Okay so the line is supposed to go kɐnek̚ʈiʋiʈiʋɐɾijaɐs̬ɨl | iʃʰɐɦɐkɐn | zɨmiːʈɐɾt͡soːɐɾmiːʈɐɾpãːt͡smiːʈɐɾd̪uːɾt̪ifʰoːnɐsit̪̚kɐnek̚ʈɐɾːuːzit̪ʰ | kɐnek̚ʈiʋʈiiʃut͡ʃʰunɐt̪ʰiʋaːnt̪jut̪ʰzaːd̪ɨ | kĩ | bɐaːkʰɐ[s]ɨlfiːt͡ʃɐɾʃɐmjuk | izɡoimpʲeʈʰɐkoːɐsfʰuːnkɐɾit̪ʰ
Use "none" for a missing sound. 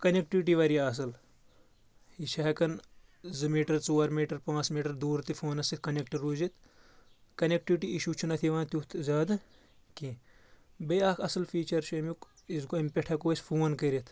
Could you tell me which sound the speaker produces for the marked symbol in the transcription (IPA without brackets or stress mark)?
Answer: s